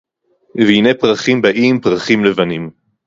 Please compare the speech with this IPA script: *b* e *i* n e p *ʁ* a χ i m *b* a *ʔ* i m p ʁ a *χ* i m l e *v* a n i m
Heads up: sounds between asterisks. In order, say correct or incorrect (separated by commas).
incorrect, correct, correct, correct, correct, correct, correct